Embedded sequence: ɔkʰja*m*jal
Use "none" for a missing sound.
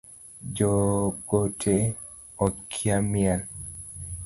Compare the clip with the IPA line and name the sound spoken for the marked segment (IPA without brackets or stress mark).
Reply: m